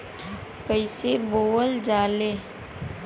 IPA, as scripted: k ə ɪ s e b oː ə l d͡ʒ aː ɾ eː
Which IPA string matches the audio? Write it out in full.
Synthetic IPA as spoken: k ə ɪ s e b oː ə l d͡ʒ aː l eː